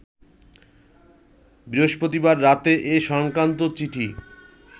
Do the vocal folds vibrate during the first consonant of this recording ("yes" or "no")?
yes